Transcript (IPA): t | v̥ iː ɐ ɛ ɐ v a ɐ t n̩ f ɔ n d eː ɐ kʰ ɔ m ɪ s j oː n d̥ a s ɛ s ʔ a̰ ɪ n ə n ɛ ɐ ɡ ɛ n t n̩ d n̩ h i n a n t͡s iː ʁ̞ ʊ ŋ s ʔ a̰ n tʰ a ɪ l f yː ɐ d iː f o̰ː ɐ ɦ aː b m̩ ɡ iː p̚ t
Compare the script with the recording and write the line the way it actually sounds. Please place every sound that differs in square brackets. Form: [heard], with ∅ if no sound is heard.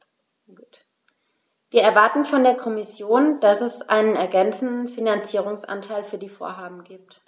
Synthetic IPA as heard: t | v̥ iː ɐ ɛ ɐ v a ɐ t n̩ f ɔ n d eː ɐ kʰ ɔ m ɪ s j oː n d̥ a s ɛ s ʔ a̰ ɪ n ə n ɛ ɐ ɡ ɛ n [t͡s] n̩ d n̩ [f] i n a n t͡s iː ʁ̞ ʊ ŋ s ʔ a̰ n tʰ a ɪ l f yː ɐ d iː f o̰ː ɐ ɦ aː b m̩ ɡ iː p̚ t